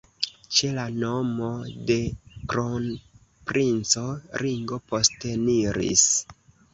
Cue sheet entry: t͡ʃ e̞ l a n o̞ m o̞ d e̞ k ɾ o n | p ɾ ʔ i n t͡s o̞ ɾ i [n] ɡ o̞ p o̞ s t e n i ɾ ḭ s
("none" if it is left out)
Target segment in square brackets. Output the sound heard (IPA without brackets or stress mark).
ŋ